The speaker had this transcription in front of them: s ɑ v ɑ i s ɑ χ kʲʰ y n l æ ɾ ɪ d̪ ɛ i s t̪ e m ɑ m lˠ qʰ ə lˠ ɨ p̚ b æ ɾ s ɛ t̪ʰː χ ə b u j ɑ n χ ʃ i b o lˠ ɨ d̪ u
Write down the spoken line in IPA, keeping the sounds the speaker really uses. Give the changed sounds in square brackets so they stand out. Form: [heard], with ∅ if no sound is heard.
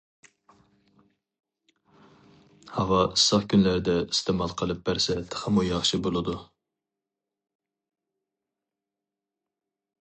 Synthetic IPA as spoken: [h] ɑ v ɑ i s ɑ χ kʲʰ y n l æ ɾ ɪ d̪ ɛ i s t̪ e m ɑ [∅] lˠ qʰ ə lˠ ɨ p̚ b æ ɾ s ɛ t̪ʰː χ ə [m] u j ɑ [∅] χ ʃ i b o lˠ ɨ d̪ u